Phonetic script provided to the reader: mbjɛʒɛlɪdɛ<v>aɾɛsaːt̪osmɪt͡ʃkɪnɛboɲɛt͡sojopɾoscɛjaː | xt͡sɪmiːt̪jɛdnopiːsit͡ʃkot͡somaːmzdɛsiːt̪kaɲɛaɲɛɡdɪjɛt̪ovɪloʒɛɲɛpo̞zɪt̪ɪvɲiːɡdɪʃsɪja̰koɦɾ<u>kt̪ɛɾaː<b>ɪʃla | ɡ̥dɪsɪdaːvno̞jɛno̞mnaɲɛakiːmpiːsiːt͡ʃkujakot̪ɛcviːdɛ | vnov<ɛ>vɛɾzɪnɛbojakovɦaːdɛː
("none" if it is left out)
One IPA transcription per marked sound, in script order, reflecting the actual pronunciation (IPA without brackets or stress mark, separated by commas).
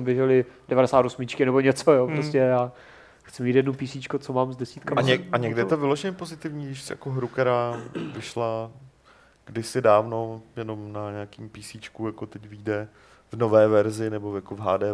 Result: v, u, v, ɛː